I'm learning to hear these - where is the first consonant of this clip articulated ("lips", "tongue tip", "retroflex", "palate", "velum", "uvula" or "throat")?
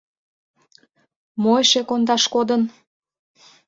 lips